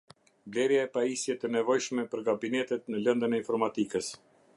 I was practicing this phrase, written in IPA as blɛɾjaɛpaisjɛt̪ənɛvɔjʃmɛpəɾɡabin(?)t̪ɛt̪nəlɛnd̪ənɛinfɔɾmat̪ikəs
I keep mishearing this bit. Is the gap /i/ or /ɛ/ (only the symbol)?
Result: ɛ